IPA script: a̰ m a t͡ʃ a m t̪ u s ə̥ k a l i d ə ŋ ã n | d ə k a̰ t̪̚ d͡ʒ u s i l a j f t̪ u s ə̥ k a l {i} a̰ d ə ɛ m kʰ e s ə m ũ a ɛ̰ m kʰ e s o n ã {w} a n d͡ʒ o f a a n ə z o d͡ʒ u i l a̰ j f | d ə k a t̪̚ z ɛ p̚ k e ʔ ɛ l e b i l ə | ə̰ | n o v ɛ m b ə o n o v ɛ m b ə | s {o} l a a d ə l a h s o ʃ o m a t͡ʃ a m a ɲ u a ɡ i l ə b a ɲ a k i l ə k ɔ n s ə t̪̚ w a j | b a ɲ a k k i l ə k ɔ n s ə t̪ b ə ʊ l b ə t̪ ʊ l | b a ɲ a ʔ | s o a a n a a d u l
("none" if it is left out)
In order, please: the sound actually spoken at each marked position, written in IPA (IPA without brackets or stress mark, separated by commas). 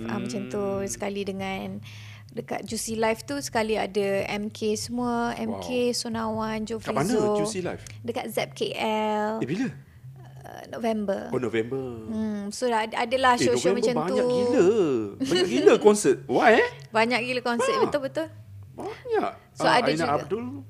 i, w, o